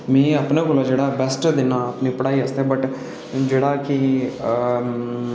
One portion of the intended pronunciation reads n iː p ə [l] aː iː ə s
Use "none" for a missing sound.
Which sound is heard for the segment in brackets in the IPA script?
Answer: ɽ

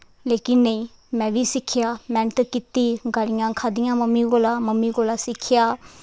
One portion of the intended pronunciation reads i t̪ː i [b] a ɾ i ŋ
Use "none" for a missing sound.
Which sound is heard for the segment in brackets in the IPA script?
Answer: ɡ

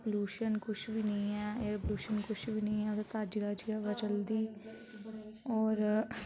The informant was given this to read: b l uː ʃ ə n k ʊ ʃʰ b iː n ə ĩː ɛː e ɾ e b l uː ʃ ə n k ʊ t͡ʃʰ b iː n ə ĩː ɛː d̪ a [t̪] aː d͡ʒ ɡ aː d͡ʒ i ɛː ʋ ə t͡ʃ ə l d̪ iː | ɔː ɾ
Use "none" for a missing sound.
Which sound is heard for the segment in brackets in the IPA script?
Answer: t̪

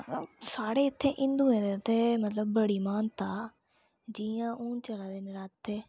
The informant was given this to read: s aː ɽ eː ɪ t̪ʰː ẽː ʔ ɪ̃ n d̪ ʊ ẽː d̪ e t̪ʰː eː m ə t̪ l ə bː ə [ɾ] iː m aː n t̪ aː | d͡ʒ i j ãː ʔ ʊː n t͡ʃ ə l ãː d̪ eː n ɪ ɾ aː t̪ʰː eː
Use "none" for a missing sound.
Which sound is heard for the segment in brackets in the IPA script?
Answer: ɽ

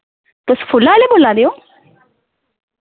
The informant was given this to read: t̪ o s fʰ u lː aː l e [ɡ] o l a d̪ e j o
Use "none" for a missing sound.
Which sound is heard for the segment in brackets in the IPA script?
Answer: b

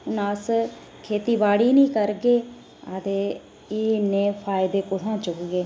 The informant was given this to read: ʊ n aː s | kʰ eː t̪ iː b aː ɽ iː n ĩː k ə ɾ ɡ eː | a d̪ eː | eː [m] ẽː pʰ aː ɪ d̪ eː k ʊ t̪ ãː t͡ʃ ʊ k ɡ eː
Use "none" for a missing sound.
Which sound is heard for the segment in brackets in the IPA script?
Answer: n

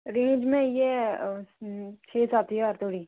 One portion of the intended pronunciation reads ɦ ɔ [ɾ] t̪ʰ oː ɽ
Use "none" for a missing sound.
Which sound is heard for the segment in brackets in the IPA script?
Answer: ɾ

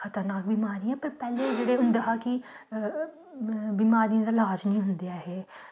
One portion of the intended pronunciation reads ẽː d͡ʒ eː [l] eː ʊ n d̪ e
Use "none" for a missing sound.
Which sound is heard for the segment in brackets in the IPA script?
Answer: ɽ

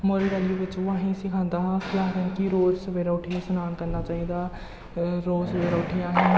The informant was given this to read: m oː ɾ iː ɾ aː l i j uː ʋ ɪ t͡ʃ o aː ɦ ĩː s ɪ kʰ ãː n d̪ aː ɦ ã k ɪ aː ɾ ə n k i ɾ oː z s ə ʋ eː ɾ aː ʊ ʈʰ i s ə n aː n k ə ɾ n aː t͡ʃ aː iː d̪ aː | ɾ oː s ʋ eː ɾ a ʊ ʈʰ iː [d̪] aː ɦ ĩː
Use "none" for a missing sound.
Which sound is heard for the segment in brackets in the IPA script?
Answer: none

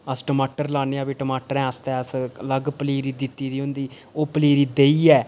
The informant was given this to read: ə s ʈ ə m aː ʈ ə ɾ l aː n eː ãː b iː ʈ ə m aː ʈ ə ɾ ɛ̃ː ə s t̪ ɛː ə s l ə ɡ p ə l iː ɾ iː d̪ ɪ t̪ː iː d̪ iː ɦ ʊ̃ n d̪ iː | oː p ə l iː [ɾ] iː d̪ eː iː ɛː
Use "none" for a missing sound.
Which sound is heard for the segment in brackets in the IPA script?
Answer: ɾ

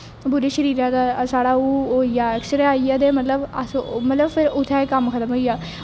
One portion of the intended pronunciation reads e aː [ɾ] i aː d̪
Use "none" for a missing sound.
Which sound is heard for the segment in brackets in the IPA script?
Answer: none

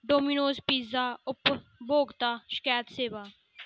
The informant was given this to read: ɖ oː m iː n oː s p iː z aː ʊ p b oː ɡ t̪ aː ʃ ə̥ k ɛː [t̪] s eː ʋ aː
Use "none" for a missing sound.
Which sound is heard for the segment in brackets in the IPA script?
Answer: t̪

